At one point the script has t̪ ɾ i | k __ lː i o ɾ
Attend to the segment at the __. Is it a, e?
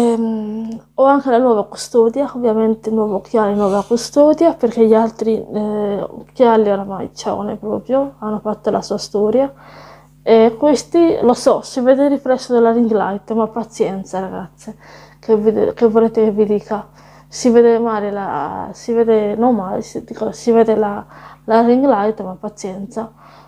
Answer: a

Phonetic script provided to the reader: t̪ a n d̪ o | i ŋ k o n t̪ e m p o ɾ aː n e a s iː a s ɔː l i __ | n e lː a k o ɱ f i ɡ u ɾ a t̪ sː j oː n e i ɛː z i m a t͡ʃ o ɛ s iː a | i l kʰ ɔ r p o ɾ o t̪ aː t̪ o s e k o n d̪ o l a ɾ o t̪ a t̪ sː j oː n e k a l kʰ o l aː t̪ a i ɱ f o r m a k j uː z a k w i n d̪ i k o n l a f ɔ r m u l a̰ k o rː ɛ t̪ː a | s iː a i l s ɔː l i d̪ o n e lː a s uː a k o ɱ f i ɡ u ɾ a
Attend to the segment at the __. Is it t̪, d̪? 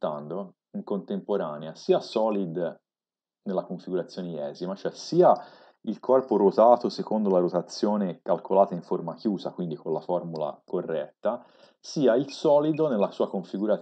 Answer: d̪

